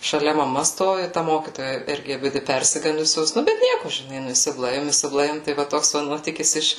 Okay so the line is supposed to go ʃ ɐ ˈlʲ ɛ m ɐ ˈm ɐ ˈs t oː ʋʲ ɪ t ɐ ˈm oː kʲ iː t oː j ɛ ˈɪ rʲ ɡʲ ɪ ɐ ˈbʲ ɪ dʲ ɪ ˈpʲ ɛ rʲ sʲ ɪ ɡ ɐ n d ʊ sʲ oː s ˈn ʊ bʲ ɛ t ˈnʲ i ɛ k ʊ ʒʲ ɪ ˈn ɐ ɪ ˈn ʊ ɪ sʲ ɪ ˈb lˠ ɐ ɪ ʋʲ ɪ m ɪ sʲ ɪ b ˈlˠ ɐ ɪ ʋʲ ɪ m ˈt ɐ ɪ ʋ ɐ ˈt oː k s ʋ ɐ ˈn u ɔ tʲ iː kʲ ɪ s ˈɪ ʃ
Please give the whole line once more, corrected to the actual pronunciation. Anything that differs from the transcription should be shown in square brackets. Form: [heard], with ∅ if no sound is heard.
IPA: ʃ ɐ ˈlʲ ɛ m ɐ ˈm ɐ ˈs t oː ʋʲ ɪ t ɐ ˈm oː kʲ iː t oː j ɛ ˈɪ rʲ ɡʲ ɪ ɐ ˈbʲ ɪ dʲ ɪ ˈpʲ ɛ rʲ sʲ ɪ ɡ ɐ n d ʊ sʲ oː s ˈn ʊ bʲ ɛ t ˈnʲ i ɛ k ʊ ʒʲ ɪ ˈn ɐ ɪ ˈn ʊ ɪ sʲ ɪ ˈb lˠ ɐ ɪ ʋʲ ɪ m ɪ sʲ ɪ b ˈlˠ ɐ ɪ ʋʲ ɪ m ˈt ɐ ɪ ʋ ɐ ˈt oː k s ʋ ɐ ˈn u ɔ tʲ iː kʲ ɪ s ˈɪ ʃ